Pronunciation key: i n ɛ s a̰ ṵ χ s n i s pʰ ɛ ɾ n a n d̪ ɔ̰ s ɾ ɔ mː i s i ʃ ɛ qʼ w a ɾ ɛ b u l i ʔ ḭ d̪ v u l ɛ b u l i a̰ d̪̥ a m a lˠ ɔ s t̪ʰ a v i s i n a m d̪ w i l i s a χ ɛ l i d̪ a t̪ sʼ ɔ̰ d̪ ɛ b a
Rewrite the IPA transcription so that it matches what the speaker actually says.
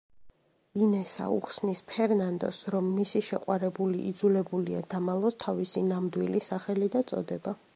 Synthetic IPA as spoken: i n ɛ s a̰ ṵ χ s n i s pʰ ɛ ɾ n a n d̪ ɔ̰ s ɾ ɔ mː i s i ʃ ɛ qʼ w a ɾ ɛ b u l i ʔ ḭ d̪ z u l ɛ b u l i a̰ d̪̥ a m a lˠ ɔ s t̪ʰ a v i s i n a m d̪ w i l i s a χ ɛ l i d̪ a t̪ sʼ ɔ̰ d̪ ɛ b a

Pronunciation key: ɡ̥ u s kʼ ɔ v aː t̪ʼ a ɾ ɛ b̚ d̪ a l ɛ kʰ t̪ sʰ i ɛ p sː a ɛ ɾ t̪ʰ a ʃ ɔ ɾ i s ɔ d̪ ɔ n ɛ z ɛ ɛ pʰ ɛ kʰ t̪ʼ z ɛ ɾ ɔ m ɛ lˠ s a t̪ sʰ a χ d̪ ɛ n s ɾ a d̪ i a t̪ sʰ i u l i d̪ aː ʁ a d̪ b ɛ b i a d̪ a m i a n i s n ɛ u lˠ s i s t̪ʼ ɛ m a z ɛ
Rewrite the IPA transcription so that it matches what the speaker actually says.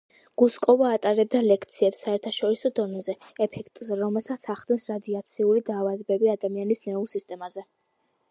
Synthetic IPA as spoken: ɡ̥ u s kʼ ɔ v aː t̪ʼ a ɾ ɛ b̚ d̪ a l ɛ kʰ t̪ sʰ i ɛ p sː a ɛ ɾ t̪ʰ a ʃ ɔ ɾ i s ɔ d̪ ɔ n ɛ z ɛ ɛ pʰ ɛ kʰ t̪ʼ z ɛ ɾ ɔ m ɛ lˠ s a t̪ sʰ a χ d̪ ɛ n s ɾ a d̪ i a t̪ sʰ i u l i d̪ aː v a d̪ b ɛ b i a d̪ a m i a n i s n ɛ u lˠ s i s t̪ʼ ɛ m a z ɛ

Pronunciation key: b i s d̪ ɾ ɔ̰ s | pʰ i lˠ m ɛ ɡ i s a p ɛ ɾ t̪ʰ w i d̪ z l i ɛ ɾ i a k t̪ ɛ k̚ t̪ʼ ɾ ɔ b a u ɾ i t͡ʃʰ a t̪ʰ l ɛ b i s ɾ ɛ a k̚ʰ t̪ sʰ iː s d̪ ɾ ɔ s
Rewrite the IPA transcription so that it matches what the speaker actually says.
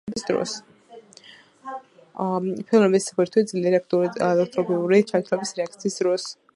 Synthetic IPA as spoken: b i s d̪ ɾ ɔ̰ s | pʰ i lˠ m ɛ b i s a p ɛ ɾ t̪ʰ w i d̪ z l i ɛ ɾ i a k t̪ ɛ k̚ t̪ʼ ɾ ɔ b i u ɾ i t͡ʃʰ a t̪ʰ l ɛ b i s ɾ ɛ a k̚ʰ t̪ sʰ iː s d̪ ɾ ɔ s

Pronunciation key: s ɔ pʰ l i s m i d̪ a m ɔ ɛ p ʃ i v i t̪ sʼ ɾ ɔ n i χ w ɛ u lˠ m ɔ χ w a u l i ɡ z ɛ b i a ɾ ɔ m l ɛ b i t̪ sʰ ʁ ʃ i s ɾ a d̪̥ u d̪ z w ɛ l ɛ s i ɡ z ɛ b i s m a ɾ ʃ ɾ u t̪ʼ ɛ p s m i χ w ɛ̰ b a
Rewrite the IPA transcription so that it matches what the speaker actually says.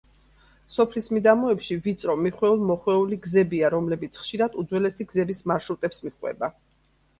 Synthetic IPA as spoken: s ɔ pʰ l i s m i d̪ a m ɔ ɛ p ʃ i v i t̪ sʼ ɾ ɔ m i χ w ɛ u lˠ m ɔ χ w ɛ u l i ɡ z ɛ b i a ɾ ɔ m l ɛ b i t̪ sʰ χ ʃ i ɾ a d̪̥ u d̪ z w ɛ l ɛ s i ɡ z ɛ b i s m a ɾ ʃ ɾ u t̪ʼ ɛ p s m i χ w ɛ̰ b a

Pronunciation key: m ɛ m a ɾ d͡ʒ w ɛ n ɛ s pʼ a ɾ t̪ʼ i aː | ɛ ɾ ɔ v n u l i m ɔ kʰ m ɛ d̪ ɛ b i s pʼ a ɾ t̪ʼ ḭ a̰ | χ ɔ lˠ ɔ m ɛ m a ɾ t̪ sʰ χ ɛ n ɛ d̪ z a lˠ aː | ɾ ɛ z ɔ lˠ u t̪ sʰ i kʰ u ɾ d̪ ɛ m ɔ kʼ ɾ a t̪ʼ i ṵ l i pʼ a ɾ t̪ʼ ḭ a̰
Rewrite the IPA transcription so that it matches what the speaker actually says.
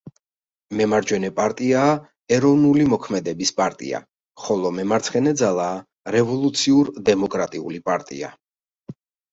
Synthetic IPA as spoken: m ɛ m a ɾ d͡ʒ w ɛ n ɛ pʼ a ɾ t̪ʼ i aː | ɛ ɾ ɔ v n u l i m ɔ kʰ m ɛ d̪ ɛ b i s pʼ a ɾ t̪ʼ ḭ a̰ | χ ɔ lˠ ɔ m ɛ m a ɾ t̪ sʰ χ ɛ n ɛ d̪ z a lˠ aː | ɾ ɛ v ɔ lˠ u t̪ sʰ i u ɾ d̪ ɛ m ɔ kʼ ɾ a t̪ʼ i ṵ l i pʼ a ɾ t̪ʼ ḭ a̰

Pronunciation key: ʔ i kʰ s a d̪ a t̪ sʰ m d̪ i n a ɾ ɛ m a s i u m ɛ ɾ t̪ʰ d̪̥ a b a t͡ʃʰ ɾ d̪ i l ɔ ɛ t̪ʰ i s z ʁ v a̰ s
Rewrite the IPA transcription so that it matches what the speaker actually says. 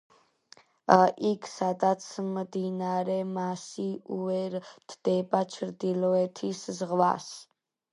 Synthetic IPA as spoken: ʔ i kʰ s a d̪ a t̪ sʰ m d̪ i n a ɾ ɛ m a s i u ɛ ɾ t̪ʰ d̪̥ ɛ b a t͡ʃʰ ɾ d̪ i l ɔ ɛ t̪ʰ i s z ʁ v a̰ s

